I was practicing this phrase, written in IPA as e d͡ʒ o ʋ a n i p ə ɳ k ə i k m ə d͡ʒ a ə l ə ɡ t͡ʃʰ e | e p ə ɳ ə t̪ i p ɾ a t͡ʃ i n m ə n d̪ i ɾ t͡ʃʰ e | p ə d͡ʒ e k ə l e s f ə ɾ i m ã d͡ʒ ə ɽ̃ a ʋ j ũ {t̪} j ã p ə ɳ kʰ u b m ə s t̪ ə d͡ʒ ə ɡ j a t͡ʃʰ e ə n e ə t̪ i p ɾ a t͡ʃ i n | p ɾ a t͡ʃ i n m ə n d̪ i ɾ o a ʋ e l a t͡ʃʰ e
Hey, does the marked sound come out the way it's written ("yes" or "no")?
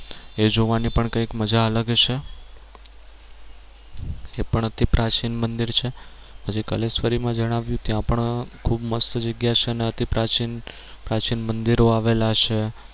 yes